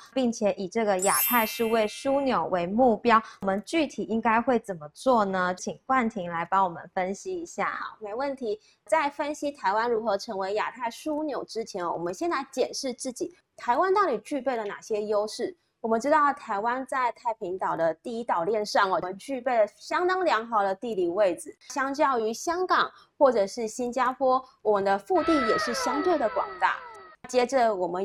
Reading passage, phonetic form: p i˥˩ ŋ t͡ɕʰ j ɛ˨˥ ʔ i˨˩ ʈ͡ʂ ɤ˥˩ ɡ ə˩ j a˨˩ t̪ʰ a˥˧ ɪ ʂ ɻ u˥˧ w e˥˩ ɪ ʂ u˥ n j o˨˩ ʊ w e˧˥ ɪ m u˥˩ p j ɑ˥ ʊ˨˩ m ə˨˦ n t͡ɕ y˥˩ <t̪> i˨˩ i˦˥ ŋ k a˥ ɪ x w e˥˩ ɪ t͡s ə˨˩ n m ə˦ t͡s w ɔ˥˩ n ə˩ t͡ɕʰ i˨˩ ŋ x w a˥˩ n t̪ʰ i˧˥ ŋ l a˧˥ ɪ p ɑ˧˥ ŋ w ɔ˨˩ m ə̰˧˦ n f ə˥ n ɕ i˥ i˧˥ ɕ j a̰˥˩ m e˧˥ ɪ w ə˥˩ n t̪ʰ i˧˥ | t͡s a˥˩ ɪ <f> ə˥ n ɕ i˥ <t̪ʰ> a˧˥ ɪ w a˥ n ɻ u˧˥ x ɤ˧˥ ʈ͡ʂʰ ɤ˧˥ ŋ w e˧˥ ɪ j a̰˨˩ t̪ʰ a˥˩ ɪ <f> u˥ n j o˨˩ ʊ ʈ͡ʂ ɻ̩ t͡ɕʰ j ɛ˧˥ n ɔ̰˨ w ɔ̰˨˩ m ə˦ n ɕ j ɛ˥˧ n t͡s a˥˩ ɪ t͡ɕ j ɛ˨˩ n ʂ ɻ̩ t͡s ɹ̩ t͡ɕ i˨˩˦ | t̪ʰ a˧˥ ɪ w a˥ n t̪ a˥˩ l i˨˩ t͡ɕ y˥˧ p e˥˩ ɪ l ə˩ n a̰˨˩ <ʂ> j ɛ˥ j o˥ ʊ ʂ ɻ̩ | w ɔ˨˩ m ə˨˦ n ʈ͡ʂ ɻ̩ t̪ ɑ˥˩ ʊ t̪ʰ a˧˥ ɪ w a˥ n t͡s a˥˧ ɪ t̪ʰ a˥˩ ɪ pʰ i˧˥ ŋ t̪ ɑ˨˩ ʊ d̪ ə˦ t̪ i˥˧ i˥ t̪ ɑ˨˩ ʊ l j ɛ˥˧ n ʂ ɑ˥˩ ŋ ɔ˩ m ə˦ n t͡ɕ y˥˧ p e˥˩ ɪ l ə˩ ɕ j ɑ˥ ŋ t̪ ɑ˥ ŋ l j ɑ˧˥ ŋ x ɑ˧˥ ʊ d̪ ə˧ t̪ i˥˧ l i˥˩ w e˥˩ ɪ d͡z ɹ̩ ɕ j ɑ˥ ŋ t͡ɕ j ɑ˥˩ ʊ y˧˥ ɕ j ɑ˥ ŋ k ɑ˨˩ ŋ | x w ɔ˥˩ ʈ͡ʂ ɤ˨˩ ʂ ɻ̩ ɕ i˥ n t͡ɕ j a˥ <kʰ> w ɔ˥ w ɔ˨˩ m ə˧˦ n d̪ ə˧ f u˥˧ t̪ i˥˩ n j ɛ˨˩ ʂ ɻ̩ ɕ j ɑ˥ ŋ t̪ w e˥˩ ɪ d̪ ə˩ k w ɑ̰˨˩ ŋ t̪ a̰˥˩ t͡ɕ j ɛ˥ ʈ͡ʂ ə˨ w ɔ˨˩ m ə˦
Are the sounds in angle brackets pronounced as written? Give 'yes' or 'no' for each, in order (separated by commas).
no, yes, yes, no, no, no